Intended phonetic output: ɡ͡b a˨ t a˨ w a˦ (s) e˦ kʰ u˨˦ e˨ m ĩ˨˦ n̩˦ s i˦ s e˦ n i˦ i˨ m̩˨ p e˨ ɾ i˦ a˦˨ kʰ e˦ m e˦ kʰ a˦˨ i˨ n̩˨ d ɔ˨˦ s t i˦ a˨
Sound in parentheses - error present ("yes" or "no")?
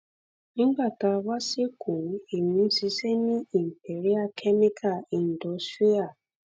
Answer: no